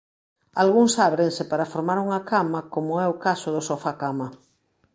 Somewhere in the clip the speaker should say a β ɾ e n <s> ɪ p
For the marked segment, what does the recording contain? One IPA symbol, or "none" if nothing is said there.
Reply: s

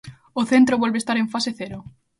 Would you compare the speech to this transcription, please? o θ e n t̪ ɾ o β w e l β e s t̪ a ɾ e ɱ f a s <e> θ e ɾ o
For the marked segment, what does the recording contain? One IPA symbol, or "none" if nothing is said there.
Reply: e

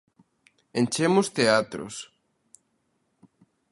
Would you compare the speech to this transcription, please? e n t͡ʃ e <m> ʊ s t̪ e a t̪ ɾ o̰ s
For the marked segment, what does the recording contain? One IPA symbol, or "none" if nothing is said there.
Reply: m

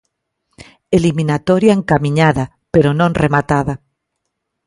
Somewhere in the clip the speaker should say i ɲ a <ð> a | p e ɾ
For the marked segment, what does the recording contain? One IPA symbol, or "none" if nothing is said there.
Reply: ð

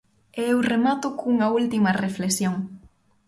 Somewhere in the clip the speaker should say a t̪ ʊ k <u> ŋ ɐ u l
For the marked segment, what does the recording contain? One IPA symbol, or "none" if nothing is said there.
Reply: u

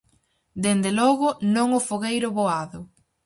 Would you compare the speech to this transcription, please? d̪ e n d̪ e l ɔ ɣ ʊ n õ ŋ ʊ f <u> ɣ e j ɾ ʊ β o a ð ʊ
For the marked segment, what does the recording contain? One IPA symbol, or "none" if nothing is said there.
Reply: o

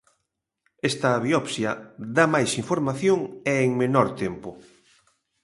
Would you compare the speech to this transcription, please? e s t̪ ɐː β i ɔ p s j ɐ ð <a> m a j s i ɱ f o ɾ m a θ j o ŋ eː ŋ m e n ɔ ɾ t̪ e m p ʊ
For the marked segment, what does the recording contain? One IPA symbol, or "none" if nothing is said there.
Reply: a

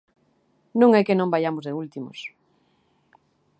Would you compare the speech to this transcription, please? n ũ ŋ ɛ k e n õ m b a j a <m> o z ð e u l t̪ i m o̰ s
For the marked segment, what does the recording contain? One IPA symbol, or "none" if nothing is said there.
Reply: m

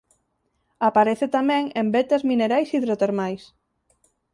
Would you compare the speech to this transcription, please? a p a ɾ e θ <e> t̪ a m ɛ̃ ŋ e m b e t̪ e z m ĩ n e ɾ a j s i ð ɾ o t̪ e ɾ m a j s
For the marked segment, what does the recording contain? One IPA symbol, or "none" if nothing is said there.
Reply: e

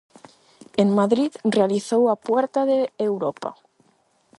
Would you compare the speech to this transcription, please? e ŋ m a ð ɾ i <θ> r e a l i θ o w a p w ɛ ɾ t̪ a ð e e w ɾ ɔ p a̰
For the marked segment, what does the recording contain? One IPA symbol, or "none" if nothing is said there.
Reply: ð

